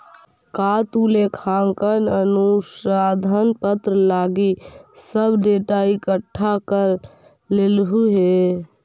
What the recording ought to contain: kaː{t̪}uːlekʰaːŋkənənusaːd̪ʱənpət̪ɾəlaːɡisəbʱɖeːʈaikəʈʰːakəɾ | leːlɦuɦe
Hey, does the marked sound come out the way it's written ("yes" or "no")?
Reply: yes